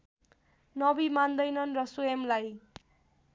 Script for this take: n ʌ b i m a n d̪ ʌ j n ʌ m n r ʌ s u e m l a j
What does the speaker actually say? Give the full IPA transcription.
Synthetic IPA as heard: n ʌ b i m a n d̪ ʌ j n ʌ n r ʌ s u e m l a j